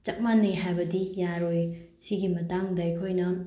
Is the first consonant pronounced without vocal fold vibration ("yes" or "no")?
yes